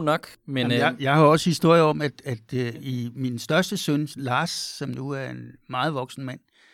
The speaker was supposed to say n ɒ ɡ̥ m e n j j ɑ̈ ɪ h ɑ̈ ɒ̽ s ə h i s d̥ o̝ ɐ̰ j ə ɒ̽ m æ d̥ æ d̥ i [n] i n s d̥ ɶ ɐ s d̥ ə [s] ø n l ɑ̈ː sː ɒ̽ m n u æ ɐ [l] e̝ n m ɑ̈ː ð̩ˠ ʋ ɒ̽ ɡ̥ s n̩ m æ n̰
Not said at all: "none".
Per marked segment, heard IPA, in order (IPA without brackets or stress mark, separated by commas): m, s, none